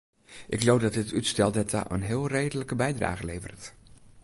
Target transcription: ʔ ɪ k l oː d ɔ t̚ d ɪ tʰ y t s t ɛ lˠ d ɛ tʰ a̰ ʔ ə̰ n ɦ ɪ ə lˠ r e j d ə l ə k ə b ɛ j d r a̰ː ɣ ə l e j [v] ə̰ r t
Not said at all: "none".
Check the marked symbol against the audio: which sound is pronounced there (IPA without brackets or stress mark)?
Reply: v